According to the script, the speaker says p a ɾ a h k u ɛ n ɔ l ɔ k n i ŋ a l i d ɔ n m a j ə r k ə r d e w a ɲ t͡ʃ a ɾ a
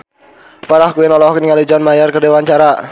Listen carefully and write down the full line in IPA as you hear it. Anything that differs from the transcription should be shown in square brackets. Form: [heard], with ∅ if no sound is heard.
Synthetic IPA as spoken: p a ɾ a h k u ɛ n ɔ l ɔ k n i ŋ a l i [d͡ʒ] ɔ n m a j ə r k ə r d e w a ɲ t͡ʃ a ɾ a